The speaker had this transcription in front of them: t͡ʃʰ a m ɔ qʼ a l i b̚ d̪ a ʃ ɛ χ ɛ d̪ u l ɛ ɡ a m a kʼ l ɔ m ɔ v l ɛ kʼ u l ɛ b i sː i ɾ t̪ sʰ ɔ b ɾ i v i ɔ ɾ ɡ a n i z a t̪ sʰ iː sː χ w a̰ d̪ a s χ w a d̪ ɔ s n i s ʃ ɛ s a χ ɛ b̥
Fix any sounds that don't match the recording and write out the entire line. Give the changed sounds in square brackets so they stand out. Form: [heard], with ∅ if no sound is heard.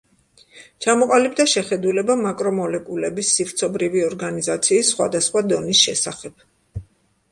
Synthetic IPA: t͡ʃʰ a m ɔ qʼ a l i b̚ d̪ a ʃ ɛ χ ɛ d̪ u l ɛ [b] a m a kʼ [ɾ] ɔ m ɔ [∅] l ɛ kʼ u l ɛ b i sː i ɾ t̪ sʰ ɔ b ɾ i v i ɔ ɾ ɡ a n i z a t̪ sʰ iː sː χ w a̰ d̪ a s χ w a d̪ ɔ [∅] n i s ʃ ɛ s a χ ɛ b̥